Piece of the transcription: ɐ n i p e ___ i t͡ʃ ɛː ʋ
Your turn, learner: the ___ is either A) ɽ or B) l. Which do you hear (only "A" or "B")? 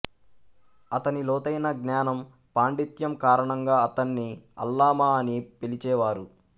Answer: B